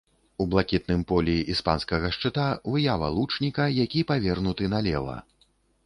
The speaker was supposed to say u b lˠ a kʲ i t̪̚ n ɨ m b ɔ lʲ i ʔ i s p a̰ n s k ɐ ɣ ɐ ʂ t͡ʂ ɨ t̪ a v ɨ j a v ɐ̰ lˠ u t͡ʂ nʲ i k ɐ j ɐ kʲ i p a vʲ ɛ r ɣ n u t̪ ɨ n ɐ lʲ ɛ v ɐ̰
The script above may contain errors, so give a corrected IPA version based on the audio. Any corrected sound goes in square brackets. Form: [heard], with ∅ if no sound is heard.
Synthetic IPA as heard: u b lˠ a kʲ i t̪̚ n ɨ m [p] ɔ lʲ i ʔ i s p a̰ n s k ɐ ɣ ɐ ʂ t͡ʂ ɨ t̪ a v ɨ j a v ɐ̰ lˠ u t͡ʂ nʲ i k ɐ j [a] kʲ i p a vʲ ɛ r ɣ n u t̪ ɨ n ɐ lʲ ɛ v ɐ̰